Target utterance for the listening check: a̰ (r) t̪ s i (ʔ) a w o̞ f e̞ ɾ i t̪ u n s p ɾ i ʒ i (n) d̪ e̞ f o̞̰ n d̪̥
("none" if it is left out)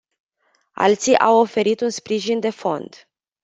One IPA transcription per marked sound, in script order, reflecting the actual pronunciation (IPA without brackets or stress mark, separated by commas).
l, ʔ, n